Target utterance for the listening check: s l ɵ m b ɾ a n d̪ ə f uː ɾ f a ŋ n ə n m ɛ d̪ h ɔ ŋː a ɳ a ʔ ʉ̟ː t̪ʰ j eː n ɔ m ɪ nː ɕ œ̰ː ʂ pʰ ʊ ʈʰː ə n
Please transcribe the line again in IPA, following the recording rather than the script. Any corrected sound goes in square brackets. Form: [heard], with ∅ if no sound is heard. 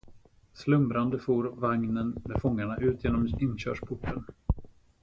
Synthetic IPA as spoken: s l ɵ m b ɾ a n d̪ ə f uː ɾ [v] a ŋ n ə n m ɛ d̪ [f] ɔ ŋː a ɳ a ʔ ʉ̟ː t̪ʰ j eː n ɔ m ɪ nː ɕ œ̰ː ʂ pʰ ʊ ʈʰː ə n